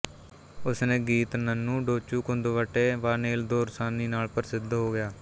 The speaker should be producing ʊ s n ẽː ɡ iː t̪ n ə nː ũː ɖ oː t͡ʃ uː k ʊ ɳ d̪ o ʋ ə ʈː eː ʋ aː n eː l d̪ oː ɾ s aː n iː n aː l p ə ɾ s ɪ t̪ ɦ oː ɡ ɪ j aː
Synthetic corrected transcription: ʊ s n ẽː ɡ iː t̪ n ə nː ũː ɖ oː t͡ʃ uː k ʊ n d̪ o ʋ ə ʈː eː ʋ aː n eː l d̪ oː ɾ s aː n iː n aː l p ə ɾ s ɪ d̪ ɦ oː ɡ ɪ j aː